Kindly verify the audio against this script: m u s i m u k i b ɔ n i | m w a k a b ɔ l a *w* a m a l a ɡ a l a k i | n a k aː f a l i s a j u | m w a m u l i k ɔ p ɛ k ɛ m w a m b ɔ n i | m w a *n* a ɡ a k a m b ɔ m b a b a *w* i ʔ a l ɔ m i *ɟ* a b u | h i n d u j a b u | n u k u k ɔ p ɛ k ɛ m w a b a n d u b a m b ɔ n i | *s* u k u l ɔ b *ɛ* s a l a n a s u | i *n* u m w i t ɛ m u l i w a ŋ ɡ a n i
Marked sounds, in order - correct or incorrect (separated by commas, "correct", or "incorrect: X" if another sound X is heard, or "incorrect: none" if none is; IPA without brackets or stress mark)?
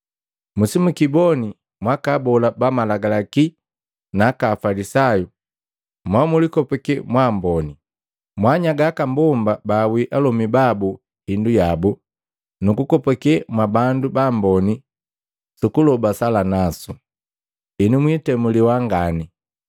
incorrect: b, incorrect: ɲ, correct, incorrect: b, correct, incorrect: a, correct